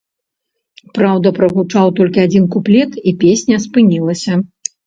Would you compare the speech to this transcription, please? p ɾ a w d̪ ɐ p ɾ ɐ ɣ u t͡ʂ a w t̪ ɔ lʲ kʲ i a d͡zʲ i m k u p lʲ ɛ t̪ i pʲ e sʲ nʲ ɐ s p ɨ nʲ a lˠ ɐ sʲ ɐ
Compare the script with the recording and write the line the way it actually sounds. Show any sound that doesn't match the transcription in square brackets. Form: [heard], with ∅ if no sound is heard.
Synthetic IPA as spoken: p ɾ a w d̪ ɐ p ɾ ɐ ɣ u t͡ʂ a w t̪ ɔ lʲ kʲ i a d͡zʲ i [n] k u p lʲ ɛ t̪ i pʲ e sʲ nʲ ɐ s p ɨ nʲ [i] lˠ ɐ sʲ ɐ